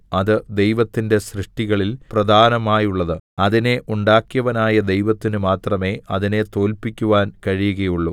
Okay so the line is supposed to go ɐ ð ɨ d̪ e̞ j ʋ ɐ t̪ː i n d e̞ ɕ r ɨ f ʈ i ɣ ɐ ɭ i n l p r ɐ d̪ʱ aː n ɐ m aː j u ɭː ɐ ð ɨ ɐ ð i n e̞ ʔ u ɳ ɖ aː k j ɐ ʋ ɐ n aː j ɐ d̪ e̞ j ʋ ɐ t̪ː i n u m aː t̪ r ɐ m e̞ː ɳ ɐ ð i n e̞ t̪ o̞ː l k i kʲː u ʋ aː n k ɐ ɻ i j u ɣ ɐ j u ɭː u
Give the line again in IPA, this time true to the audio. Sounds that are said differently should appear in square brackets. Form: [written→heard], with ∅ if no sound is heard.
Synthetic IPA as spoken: ɐ ð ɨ d̪ e̞ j ʋ ɐ t̪ː i n d e̞ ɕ r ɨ [f→ʂ] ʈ i ɣ ɐ ɭ i [n→∅] l p r ɐ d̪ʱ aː n ɐ m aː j u ɭː ɐ ð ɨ ɐ ð i n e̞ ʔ u ɳ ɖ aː k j ɐ ʋ ɐ n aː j ɐ d̪ e̞ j ʋ ɐ t̪ː i n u m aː t̪ r ɐ m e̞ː [ɳ→∅] ɐ ð i n e̞ t̪ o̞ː l [k→p] i kʲː u ʋ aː n k ɐ ɻ i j u ɣ ɐ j u ɭː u